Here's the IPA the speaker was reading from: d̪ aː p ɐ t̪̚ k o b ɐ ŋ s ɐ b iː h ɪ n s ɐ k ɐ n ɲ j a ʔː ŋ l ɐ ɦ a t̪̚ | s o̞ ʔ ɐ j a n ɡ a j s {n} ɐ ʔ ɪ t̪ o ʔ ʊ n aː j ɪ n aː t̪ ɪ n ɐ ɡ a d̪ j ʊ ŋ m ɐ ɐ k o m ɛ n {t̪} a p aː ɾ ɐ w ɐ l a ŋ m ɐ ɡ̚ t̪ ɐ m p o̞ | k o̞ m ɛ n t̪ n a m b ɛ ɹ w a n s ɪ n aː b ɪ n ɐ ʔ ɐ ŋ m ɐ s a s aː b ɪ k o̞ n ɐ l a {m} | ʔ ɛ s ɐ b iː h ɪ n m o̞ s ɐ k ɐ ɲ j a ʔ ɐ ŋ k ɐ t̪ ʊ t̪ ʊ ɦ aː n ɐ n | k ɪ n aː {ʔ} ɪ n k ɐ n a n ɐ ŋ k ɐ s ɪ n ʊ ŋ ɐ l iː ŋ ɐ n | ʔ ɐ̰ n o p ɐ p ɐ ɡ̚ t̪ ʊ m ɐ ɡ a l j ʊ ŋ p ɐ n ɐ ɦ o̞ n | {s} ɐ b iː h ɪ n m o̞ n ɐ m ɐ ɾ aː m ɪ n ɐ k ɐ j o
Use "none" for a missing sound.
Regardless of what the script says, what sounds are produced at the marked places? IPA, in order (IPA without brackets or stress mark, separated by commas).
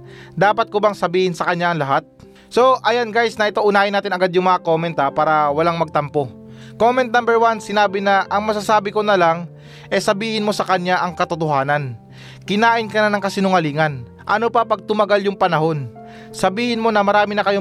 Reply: n, t̪, ŋ, ʔ, s